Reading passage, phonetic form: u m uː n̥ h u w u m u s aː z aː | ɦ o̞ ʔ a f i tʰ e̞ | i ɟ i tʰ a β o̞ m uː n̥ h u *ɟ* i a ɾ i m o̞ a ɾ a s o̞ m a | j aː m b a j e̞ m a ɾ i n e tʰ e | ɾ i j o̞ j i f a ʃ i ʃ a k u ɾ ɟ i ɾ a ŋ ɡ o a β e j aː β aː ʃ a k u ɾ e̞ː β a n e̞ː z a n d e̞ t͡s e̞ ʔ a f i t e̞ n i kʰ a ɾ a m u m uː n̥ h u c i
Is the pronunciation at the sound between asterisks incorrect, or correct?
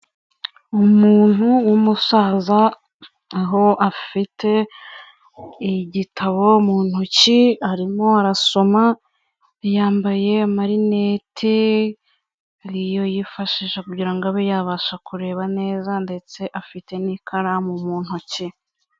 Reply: incorrect